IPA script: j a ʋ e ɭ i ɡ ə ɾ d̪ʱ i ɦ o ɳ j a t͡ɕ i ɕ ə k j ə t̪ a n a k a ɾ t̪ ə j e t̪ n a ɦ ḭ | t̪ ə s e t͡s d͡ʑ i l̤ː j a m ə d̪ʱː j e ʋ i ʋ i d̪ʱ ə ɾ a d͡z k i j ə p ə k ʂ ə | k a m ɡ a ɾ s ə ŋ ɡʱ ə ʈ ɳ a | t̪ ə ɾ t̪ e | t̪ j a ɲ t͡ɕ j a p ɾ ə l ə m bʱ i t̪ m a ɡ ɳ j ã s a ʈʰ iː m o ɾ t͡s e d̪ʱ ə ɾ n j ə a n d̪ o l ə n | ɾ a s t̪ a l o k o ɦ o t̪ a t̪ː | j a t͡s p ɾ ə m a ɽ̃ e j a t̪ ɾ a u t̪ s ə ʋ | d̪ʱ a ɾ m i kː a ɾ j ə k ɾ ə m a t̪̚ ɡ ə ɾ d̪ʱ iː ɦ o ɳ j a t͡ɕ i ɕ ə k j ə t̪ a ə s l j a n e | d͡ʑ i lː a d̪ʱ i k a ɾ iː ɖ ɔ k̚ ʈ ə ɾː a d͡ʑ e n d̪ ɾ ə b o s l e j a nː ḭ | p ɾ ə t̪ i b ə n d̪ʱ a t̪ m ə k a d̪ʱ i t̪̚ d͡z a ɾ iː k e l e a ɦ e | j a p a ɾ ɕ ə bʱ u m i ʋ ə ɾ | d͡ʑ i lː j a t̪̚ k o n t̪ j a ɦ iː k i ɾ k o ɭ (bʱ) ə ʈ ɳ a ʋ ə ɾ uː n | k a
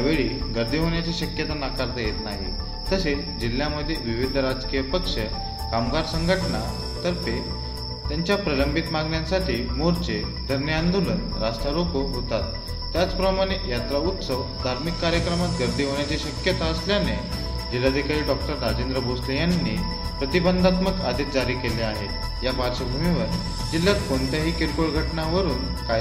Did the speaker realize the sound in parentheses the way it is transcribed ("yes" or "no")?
no